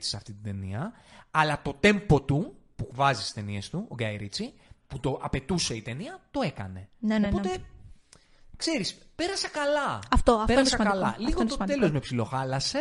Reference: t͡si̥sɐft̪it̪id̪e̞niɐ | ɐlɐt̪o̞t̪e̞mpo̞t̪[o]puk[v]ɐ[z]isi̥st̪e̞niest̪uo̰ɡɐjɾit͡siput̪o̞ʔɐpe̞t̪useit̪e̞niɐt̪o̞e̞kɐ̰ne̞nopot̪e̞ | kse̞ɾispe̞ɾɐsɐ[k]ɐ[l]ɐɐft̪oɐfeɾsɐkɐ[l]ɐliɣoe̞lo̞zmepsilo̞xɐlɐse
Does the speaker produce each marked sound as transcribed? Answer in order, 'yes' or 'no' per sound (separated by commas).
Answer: no, yes, yes, yes, yes, yes